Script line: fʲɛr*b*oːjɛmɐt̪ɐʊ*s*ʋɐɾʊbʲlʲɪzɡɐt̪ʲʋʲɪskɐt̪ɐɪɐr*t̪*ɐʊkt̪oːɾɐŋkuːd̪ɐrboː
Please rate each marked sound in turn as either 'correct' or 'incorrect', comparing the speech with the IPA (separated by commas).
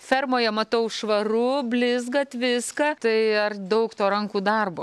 incorrect, incorrect, incorrect